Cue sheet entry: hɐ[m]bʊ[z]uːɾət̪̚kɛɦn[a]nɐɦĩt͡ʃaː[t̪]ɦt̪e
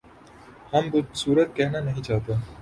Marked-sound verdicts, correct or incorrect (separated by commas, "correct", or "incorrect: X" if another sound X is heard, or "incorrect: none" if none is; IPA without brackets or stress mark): correct, incorrect: s, correct, incorrect: none